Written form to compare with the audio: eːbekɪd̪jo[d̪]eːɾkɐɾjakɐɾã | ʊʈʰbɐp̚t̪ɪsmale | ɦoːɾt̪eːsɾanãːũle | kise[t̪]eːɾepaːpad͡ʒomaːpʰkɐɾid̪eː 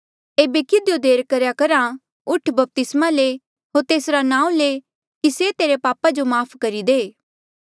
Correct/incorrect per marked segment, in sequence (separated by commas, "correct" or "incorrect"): correct, correct